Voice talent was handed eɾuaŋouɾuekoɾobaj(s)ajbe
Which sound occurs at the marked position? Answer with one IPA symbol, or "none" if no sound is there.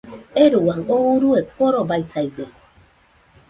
s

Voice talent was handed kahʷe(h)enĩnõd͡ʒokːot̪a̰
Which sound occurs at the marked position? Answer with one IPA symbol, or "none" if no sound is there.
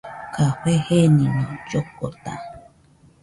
h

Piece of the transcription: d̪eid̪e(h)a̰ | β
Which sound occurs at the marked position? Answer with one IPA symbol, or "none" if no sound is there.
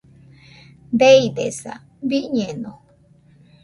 s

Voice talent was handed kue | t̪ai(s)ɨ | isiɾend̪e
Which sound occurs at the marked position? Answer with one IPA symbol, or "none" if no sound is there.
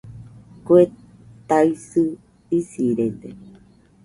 s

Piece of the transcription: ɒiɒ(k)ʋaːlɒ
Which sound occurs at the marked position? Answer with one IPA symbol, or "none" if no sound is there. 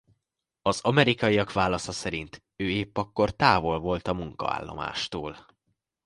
k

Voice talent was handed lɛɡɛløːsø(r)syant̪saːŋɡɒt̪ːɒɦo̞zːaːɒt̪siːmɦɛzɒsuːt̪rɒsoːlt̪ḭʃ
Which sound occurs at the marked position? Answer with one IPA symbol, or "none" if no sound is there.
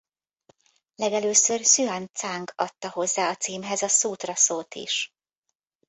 r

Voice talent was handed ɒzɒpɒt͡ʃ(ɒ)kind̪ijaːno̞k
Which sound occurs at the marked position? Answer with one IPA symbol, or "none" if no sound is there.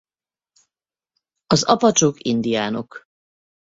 o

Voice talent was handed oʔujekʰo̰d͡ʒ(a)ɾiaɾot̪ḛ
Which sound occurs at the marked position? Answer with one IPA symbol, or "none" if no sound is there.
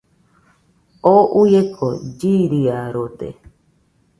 i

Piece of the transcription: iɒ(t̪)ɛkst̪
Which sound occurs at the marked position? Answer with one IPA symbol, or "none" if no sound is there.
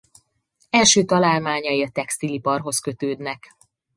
t̪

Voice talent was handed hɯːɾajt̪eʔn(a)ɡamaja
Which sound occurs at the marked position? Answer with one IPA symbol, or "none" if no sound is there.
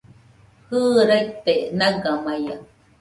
a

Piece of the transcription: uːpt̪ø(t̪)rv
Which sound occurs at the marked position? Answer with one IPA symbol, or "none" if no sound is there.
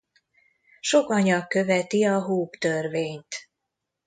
none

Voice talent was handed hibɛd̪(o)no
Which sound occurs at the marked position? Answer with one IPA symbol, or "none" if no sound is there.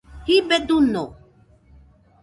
u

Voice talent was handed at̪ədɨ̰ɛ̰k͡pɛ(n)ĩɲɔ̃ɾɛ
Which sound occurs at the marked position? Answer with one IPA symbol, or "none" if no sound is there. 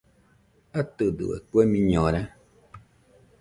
m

